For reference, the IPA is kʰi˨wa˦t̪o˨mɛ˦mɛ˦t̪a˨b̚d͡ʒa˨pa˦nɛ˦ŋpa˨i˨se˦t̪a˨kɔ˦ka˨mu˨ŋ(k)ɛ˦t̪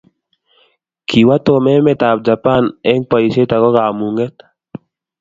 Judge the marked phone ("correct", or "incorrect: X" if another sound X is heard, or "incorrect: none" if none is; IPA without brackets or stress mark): incorrect: ɡ